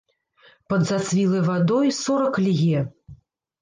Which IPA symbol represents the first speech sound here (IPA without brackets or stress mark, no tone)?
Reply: p